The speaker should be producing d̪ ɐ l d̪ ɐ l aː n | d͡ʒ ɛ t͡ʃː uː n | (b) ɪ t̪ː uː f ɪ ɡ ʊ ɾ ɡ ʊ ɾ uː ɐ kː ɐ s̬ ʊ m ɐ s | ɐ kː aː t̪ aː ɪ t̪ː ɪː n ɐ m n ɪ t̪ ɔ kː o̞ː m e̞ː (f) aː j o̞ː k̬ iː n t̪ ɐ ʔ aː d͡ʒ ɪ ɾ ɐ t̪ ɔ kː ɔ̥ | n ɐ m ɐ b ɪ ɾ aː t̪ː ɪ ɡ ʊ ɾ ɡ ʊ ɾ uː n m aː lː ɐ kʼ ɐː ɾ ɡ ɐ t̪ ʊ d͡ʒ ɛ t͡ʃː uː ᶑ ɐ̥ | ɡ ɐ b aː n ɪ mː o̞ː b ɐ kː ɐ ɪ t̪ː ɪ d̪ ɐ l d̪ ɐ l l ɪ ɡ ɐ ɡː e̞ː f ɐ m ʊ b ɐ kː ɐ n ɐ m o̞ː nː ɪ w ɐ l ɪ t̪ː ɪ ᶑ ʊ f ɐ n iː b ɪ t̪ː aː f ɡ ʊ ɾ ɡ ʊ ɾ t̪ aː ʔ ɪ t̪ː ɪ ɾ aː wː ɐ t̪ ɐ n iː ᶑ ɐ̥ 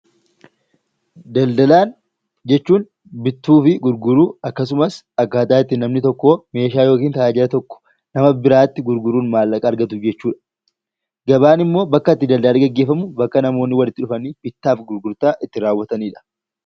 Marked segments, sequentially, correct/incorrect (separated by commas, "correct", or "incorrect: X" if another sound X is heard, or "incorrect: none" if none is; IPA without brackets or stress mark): correct, incorrect: ʃ